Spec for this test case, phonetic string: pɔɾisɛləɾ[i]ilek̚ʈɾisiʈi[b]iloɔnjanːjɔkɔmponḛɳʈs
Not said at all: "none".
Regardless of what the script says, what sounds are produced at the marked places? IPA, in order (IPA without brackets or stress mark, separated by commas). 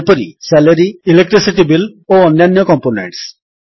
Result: i, b